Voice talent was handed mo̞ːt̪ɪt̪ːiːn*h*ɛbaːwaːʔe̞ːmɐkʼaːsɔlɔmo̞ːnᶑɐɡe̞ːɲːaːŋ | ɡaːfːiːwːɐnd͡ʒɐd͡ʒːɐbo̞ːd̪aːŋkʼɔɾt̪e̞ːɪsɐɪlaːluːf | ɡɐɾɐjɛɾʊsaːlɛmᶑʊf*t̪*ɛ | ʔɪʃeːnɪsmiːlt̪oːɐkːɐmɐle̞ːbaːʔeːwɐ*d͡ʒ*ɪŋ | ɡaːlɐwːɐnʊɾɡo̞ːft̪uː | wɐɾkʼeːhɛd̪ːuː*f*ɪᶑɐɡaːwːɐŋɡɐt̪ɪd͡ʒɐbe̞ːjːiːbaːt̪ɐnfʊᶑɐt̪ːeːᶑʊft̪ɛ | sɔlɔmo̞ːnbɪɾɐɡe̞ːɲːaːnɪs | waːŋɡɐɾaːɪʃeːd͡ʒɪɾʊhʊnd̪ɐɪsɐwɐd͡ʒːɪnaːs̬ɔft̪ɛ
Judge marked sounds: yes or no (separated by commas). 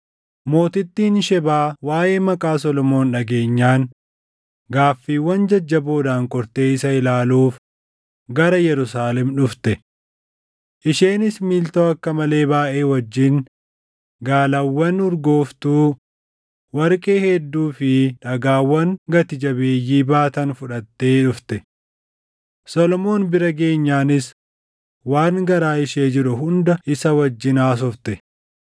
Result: no, yes, no, yes